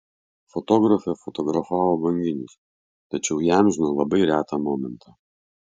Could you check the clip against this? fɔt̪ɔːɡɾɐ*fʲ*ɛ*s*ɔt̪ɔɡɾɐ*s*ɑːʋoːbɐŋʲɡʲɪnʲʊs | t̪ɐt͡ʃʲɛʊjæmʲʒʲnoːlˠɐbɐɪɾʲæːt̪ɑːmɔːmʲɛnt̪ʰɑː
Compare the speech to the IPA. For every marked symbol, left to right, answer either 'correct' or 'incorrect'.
correct, incorrect: f, incorrect: f

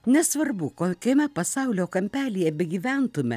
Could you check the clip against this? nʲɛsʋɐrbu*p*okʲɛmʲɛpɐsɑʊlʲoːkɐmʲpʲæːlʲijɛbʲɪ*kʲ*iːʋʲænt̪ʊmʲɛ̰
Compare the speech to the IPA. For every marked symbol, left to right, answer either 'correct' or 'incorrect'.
incorrect: k, incorrect: ɡʲ

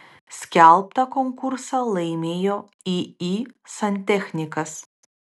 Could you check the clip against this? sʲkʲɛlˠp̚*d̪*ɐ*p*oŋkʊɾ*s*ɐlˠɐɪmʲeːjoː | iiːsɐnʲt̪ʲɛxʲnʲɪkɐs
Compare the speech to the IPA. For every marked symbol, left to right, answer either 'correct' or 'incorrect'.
incorrect: t̪, incorrect: k, correct

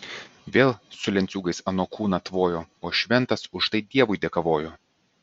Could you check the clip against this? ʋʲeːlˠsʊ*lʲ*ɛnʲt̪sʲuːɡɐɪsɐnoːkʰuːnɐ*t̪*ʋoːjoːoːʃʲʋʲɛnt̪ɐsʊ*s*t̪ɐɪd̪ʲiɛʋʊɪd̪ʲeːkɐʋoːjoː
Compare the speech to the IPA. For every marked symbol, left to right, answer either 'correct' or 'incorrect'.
correct, correct, incorrect: ʃ

